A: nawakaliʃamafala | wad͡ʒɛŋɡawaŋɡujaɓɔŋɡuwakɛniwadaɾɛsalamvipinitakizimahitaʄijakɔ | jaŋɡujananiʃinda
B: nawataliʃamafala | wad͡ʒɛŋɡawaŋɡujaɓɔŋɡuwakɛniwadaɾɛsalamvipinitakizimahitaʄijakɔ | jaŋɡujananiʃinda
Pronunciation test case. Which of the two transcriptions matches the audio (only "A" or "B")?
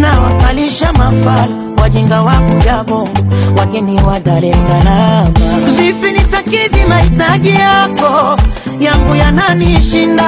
A